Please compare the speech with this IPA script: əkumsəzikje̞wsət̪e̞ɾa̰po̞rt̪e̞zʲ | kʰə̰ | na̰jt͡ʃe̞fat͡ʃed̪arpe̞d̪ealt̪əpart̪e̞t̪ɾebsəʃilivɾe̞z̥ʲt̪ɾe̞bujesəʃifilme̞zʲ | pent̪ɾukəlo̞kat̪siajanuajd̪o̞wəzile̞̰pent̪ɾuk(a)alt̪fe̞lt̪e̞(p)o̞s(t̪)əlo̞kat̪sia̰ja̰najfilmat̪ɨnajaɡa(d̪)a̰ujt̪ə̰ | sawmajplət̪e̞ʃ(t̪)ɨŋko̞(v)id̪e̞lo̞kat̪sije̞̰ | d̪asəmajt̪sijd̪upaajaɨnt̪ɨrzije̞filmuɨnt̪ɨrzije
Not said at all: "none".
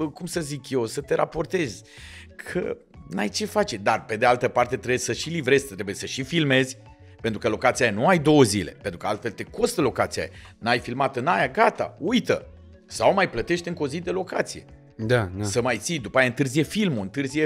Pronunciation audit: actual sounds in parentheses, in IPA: ə, k, t̪, t̪, t̪, z

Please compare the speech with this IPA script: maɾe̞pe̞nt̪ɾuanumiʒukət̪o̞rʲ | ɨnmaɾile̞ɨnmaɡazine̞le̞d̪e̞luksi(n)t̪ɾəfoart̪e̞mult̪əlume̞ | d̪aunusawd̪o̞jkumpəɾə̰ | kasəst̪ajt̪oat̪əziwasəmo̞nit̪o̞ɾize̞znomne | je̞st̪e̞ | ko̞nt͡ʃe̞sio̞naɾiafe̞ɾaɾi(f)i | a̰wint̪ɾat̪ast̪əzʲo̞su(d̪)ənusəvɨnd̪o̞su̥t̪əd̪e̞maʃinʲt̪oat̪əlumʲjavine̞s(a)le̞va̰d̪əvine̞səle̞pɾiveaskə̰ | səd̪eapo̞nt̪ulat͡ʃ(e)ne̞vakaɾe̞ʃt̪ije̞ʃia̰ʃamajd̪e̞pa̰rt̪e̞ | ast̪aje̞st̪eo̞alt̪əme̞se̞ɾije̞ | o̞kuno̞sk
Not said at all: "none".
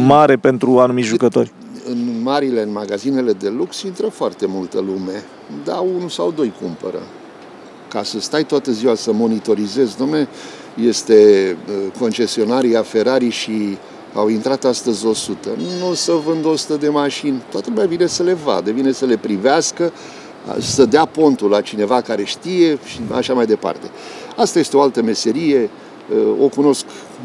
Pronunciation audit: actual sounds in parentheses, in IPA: n, ʃ, t̪, ə, i

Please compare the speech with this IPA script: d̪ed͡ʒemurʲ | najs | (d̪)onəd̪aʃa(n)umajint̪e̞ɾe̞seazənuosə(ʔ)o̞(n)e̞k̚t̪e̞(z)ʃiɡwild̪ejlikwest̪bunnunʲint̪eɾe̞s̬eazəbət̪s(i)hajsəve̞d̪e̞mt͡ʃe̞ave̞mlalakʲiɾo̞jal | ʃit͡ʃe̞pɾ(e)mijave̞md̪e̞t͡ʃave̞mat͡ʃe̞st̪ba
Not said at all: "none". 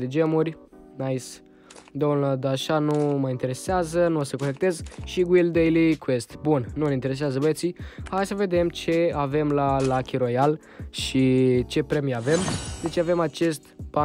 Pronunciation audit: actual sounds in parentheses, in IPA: d̪, n, k, n, z, i, e

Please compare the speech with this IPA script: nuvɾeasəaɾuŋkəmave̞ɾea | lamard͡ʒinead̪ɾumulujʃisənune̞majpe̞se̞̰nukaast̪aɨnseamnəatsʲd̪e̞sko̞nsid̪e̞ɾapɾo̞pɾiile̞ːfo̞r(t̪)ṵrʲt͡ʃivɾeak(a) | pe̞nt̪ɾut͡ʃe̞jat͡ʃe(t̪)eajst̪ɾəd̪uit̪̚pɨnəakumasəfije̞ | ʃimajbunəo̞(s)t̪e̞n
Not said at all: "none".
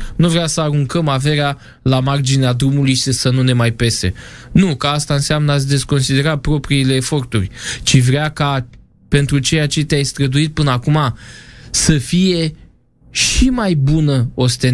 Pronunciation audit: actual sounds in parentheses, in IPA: t̪, a, t̪, s

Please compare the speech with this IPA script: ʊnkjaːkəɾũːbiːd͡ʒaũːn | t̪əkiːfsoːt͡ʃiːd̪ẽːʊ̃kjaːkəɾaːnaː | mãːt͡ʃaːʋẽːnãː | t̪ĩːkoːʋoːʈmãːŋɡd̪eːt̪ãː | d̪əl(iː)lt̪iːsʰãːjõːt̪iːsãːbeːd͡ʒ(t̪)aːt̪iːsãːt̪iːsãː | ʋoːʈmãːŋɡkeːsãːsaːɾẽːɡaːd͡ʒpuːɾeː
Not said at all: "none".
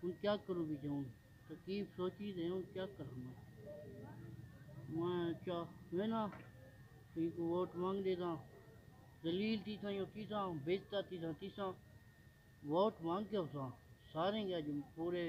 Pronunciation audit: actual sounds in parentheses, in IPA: iː, t̪

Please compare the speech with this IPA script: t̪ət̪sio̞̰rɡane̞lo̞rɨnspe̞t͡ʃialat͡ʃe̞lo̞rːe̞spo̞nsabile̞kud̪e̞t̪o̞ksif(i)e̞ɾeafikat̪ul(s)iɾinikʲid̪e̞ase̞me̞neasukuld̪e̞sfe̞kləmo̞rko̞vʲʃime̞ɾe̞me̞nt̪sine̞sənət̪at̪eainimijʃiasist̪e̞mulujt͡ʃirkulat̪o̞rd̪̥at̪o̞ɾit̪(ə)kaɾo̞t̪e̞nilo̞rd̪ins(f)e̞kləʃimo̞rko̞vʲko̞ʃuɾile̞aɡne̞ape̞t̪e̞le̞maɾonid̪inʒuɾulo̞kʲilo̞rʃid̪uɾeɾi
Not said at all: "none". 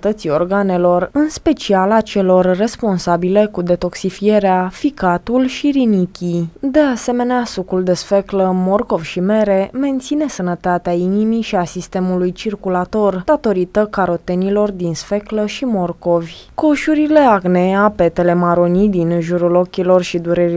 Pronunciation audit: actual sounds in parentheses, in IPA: i, ʃ, ə, f

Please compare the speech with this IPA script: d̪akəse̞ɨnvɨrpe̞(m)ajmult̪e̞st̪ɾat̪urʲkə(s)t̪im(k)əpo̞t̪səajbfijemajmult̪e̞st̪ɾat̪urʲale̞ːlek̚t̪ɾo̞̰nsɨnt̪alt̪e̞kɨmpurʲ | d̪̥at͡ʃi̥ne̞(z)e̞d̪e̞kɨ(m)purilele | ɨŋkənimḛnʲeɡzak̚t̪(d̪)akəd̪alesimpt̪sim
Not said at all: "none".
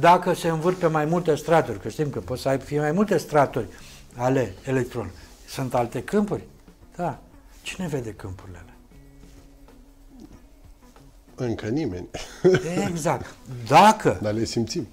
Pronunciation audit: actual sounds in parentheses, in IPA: m, ʃ, k, v, m, d̪

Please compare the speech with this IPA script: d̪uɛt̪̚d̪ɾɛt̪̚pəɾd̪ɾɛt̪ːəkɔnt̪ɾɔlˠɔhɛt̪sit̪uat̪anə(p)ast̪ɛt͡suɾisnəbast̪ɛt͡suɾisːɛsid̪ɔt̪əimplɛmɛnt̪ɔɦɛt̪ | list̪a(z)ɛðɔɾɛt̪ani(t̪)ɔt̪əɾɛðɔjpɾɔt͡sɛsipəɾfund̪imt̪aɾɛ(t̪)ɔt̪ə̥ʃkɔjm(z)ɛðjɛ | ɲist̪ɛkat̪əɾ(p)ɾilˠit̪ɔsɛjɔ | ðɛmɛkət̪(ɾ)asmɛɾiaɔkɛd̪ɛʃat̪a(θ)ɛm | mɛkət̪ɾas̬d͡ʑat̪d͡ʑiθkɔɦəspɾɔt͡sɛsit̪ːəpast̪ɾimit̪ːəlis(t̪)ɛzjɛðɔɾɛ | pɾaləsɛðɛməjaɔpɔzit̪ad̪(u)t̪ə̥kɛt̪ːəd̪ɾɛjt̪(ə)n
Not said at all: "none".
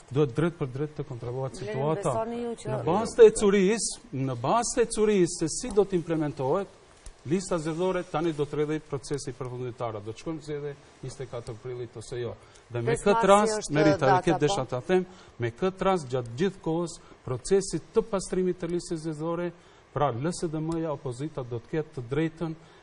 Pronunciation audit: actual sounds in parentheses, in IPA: b, z, d̪, d̪, z, p, ɾ, θ, t̪, ɔ, ə

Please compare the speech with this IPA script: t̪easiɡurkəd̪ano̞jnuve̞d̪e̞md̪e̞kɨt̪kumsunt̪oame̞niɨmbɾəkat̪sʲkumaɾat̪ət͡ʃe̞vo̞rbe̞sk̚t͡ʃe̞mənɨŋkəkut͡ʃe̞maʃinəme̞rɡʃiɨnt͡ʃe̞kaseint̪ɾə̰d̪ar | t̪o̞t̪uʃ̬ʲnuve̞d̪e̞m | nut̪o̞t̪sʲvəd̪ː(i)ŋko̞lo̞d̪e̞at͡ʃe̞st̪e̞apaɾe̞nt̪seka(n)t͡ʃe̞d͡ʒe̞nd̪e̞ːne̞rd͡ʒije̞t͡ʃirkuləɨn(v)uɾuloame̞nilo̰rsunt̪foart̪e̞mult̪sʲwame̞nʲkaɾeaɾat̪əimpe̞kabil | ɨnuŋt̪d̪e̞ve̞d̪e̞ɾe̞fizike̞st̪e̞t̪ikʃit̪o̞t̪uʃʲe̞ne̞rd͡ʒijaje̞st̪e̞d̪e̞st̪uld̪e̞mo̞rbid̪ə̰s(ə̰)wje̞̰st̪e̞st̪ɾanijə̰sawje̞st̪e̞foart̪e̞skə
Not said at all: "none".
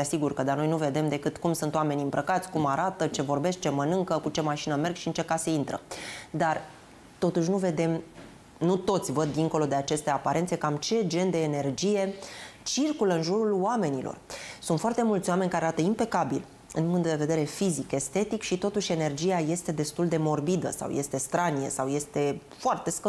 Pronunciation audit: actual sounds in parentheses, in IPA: i, m, ʒ, a̰

